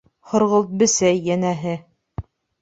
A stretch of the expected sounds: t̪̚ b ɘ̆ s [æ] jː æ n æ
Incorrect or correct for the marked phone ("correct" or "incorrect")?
correct